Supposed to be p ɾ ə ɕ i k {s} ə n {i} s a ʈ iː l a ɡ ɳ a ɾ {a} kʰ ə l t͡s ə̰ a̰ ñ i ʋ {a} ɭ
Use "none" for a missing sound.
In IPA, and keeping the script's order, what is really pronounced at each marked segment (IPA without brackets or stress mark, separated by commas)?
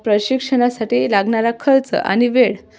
ʂ, a, a, e